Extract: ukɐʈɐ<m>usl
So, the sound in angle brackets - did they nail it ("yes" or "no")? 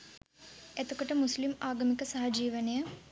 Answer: yes